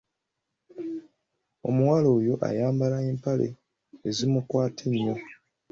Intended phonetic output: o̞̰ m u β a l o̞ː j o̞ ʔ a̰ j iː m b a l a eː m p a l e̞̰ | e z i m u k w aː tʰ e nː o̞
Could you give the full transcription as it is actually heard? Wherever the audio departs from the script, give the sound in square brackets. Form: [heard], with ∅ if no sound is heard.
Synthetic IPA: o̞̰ m u [w] a l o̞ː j o̞ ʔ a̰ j [aː] m b a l a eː m p a l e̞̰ | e z i m u k w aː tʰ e [ɲː] o̞